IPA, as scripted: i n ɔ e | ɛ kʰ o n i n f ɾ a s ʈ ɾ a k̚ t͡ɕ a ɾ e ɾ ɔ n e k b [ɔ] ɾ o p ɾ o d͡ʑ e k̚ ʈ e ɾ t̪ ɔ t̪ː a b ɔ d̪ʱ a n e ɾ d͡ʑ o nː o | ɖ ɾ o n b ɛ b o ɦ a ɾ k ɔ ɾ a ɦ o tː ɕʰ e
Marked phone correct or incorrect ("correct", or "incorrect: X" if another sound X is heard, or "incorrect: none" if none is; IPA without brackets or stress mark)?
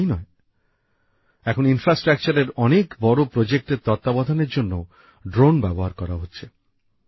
correct